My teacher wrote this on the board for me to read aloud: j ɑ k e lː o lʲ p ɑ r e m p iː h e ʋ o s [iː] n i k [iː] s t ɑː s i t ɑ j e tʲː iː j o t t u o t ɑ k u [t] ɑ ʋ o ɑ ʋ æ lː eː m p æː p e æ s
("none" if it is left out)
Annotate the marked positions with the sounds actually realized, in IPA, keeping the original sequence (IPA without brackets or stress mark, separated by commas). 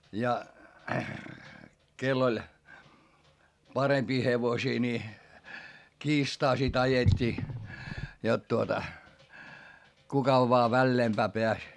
iː, iː, k